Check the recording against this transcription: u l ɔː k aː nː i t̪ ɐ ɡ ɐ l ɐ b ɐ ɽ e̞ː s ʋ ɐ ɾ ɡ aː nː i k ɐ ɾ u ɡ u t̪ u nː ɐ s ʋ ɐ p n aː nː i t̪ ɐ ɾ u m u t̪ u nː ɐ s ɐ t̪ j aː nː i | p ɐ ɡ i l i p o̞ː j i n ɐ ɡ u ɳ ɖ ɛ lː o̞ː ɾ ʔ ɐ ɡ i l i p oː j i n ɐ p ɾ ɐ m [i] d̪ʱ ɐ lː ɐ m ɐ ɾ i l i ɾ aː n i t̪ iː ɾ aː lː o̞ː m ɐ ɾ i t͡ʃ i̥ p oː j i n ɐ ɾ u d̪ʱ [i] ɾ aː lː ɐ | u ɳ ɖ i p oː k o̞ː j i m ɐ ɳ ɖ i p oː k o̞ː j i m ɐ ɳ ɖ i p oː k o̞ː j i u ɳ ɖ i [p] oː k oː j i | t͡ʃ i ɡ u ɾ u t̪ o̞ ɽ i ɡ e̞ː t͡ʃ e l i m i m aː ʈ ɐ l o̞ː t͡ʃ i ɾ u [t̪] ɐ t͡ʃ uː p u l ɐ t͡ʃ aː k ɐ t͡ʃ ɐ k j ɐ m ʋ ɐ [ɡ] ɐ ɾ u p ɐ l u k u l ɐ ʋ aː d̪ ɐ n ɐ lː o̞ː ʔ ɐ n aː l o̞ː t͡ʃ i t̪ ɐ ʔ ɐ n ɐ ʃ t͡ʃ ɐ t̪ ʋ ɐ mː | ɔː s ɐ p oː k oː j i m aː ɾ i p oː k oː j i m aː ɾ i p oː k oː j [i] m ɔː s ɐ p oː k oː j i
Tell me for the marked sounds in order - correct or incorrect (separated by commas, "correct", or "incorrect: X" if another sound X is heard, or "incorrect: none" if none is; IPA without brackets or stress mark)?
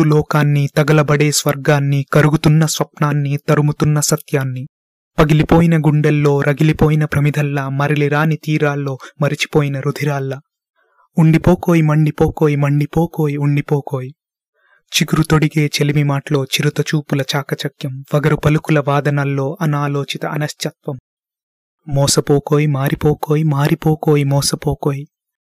correct, correct, correct, correct, correct, correct